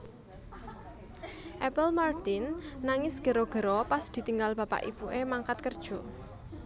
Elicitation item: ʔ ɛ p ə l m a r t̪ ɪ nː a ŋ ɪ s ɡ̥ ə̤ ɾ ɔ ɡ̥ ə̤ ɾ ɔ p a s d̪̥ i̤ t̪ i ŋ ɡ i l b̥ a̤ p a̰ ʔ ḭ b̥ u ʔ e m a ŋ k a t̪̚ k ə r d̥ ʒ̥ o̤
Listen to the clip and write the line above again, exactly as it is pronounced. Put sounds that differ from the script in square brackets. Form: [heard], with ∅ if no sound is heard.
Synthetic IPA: ʔ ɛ p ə l m a r t̪ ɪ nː a ŋ ɪ s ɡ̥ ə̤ ɾ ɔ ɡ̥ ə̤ ɾ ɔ p a s d̪̥ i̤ t̪ i ŋ ɡ [a] l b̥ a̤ p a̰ ʔ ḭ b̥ u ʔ e m a ŋ k a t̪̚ k ə r d̥ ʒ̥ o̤